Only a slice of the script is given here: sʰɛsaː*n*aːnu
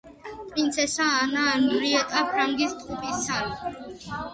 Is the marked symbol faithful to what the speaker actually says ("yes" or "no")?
yes